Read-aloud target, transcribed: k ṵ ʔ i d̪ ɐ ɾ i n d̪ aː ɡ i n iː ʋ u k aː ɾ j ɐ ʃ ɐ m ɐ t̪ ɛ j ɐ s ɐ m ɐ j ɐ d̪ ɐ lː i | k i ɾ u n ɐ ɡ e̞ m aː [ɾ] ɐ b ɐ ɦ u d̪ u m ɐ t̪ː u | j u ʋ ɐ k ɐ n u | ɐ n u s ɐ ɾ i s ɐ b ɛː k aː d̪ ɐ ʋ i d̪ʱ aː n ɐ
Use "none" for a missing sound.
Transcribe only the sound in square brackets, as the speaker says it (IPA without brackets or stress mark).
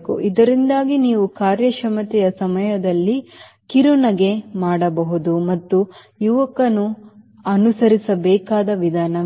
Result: ɽ